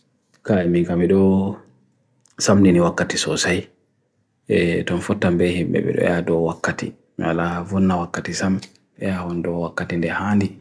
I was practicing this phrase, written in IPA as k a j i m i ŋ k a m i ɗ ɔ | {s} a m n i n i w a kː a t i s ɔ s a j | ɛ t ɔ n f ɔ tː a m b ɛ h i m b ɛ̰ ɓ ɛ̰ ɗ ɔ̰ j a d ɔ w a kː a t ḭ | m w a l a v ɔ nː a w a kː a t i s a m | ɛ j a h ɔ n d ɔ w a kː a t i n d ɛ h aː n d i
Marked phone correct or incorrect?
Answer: correct